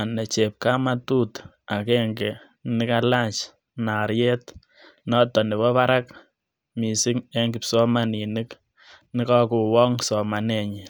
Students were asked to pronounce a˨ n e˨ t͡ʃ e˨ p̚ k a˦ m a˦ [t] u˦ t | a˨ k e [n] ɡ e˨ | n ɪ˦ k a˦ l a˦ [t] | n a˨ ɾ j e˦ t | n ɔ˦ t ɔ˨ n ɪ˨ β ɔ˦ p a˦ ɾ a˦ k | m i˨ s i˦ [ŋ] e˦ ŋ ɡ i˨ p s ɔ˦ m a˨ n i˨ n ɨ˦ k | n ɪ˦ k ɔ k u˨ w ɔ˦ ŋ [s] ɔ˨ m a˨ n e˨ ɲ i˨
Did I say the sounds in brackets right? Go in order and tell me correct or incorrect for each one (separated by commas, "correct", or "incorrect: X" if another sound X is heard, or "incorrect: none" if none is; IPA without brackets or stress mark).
correct, incorrect: ŋ, incorrect: t͡ʃ, correct, correct